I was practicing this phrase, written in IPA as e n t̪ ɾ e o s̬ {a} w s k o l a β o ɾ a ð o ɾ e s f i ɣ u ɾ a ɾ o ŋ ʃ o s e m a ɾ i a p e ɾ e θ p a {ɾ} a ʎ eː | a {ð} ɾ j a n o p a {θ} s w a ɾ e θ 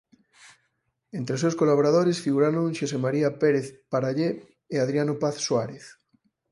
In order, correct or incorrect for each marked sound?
incorrect, correct, correct, correct

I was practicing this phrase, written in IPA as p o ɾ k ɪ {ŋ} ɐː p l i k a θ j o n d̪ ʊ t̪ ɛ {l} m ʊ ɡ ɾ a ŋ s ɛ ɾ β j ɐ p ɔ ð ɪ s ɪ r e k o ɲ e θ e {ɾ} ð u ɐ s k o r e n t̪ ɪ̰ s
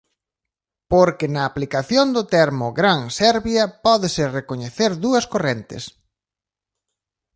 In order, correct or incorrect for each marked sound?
incorrect, incorrect, correct

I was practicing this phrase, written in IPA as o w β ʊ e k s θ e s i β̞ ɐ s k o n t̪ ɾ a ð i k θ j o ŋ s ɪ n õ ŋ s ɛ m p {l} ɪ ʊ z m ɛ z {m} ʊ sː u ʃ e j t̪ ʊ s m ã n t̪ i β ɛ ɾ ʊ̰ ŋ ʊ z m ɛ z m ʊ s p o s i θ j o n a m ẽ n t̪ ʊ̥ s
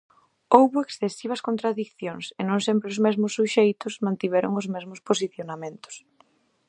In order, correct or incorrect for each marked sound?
incorrect, correct

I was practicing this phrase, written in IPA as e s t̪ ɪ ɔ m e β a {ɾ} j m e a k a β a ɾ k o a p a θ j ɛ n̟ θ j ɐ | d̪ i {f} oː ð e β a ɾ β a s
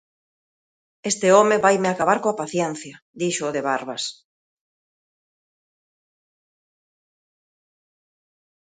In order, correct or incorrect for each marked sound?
incorrect, incorrect

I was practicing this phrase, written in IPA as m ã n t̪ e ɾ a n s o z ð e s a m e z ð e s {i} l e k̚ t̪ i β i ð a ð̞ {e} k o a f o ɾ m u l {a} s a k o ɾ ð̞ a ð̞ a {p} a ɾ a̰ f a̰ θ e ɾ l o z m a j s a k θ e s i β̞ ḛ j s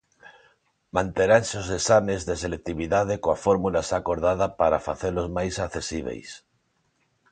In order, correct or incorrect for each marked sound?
incorrect, correct, correct, correct

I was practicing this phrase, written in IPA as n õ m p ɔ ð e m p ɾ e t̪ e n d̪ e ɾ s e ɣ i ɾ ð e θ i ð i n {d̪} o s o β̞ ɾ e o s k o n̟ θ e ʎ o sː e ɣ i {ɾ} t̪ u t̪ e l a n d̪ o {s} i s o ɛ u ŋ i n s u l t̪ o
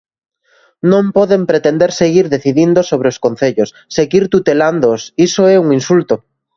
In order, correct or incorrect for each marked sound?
correct, correct, correct

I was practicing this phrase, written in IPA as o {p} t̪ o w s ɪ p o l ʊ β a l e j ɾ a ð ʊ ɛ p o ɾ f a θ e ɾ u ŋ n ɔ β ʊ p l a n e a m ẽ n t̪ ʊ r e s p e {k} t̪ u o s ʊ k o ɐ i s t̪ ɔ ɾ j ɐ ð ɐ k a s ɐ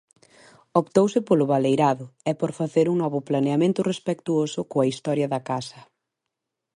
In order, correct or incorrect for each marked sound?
correct, correct

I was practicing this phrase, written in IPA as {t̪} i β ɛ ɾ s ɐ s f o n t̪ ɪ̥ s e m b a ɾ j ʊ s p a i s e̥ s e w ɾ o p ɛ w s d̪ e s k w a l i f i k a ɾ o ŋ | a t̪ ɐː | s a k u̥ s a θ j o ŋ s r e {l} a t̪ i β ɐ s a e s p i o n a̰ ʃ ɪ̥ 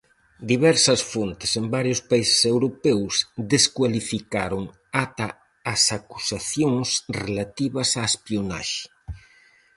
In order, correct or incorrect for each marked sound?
incorrect, correct

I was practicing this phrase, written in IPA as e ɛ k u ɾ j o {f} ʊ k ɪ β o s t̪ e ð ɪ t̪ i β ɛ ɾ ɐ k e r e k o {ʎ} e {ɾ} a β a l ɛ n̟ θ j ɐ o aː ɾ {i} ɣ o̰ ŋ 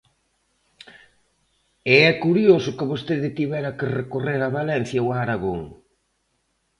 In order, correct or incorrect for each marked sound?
incorrect, incorrect, correct, incorrect

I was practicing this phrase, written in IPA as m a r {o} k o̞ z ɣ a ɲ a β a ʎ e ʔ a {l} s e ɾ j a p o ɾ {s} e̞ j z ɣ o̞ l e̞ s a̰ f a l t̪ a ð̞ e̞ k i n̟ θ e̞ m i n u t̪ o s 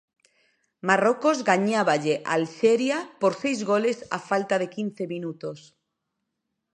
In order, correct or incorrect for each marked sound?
correct, correct, correct

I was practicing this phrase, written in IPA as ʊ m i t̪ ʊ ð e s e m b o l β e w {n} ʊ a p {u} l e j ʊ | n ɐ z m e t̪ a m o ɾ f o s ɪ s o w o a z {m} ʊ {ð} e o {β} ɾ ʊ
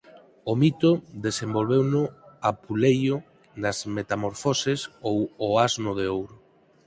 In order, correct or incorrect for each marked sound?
correct, correct, incorrect, correct, incorrect

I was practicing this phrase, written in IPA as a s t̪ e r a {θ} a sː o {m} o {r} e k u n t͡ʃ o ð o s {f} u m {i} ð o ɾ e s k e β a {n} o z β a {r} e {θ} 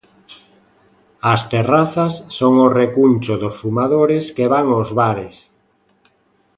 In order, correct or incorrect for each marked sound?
correct, incorrect, correct, correct, incorrect, incorrect, incorrect, incorrect

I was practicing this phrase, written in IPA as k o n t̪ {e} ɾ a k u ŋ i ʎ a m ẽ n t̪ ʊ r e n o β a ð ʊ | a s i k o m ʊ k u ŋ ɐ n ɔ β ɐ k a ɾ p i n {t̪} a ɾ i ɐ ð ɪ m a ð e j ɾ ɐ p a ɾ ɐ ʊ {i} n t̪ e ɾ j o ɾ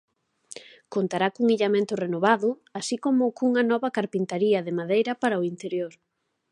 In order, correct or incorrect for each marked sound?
incorrect, correct, correct

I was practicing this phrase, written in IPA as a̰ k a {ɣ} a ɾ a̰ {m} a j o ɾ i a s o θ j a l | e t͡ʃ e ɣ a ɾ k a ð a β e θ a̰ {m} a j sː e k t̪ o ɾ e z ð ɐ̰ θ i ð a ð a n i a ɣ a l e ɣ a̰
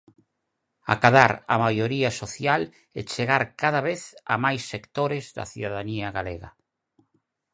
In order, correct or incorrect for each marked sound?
incorrect, correct, correct

